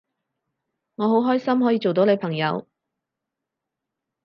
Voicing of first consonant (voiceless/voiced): voiced